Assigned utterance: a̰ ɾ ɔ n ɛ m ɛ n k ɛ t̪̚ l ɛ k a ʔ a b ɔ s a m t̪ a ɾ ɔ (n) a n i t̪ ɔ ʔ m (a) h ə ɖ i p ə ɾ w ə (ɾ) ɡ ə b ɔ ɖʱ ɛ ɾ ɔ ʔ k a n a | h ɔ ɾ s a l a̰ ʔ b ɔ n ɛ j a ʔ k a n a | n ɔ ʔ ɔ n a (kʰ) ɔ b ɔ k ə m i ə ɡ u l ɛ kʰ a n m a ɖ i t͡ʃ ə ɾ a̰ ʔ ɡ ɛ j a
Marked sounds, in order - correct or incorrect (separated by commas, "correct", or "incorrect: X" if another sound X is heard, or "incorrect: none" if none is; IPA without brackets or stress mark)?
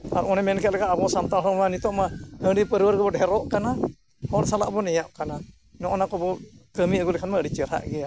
incorrect: m, correct, correct, incorrect: k